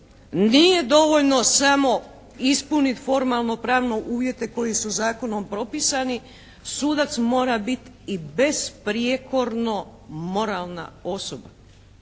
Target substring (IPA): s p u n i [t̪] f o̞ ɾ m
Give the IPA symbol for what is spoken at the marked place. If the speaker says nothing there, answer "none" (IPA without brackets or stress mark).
t̪